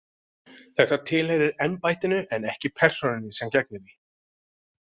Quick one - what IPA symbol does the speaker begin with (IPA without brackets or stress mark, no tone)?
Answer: θ